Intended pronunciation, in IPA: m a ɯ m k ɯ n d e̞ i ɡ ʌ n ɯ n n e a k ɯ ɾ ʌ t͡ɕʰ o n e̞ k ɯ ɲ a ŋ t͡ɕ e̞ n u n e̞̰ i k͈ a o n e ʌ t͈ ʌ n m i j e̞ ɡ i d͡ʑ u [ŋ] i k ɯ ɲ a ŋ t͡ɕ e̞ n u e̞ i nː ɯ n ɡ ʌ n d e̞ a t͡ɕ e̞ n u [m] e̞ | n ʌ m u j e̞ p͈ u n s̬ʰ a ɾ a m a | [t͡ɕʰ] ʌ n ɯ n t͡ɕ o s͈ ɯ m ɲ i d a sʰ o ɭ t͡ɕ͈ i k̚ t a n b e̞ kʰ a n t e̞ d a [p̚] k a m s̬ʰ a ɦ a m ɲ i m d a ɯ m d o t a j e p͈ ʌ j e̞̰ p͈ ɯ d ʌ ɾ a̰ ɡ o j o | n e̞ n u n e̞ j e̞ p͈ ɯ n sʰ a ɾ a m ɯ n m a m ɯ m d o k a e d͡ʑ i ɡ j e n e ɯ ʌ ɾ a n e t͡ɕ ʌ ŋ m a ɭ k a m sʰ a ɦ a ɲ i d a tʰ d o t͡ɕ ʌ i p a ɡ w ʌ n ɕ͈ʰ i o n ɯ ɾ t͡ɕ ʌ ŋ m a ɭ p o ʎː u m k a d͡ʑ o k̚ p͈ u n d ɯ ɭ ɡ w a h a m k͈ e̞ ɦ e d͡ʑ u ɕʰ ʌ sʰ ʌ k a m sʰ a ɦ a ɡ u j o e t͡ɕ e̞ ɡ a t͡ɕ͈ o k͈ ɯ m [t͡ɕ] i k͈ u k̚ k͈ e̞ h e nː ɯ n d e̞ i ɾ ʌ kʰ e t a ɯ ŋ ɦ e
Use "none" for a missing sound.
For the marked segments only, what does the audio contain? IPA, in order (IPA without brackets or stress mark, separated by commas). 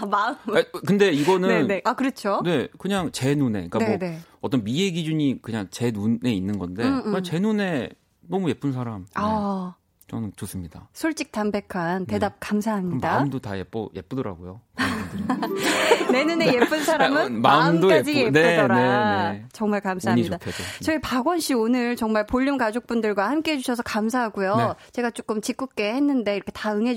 ɲ, n, t͡ɕ, p̚, t͡ɕ